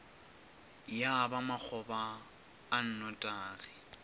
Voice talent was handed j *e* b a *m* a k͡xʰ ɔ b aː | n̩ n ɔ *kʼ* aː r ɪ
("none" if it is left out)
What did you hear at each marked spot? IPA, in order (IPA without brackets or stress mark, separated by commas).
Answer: a, m, tʼ